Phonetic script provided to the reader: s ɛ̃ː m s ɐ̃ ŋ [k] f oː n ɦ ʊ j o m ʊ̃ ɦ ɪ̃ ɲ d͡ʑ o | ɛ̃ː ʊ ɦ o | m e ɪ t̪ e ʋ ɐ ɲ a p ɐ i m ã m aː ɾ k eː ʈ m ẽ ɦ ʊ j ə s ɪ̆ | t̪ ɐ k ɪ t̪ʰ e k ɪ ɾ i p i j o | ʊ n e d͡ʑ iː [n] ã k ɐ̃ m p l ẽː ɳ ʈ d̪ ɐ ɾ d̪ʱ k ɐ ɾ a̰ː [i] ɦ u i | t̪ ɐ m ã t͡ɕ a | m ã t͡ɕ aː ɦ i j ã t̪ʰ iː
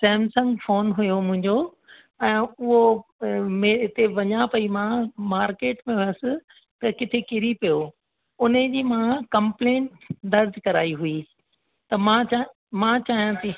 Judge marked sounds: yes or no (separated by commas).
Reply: no, no, yes